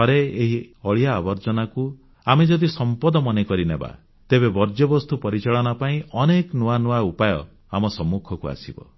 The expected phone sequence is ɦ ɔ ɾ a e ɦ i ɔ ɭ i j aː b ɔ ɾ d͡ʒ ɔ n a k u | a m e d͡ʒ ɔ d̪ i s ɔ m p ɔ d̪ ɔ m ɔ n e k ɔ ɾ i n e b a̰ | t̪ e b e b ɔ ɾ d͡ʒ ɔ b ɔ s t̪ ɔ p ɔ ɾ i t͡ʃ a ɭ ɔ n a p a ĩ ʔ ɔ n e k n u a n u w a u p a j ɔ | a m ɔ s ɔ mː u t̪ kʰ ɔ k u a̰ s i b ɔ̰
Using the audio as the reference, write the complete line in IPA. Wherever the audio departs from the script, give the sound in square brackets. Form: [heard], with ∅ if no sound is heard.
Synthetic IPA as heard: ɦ ɔ ɾ [e] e ɦ i ɔ ɭ i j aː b ɔ ɾ d͡ʒ ɔ n a k u | a m e d͡ʒ ɔ d̪ i s ɔ m p ɔ d̪ ɔ m ɔ n e k ɔ ɾ i n e b a̰ | t̪ e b e b ɔ ɾ d͡ʒ ɔ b ɔ s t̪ [u] p ɔ ɾ i t͡ʃ a ɭ ɔ n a p a ĩ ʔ ɔ n e k n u a n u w a u p a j ɔ | a m ɔ s ɔ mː u [∅] kʰ ɔ k u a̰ s i b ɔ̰